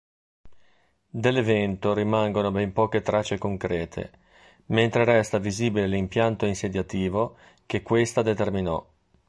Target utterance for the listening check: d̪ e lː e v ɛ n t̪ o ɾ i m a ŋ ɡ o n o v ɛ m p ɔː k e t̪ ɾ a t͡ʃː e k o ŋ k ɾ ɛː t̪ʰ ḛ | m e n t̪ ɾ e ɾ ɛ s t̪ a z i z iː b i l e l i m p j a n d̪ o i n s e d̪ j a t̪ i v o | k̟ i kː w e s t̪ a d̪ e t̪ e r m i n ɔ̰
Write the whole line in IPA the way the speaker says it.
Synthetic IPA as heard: d̪ e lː e v ɛ n t̪ o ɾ i m a ŋ ɡ o n o b ɛ m p ɔː k e t̪ ɾ a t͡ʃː e k o ŋ k ɾ ɛː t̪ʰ ḛ | m e n t̪ ɾ e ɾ ɛ s t̪ a v i z iː b i l e l i m p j a n t̪ o i n s e d̪ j a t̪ iː v o | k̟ e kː w e s t̪ a d̪ e t̪ e r m i n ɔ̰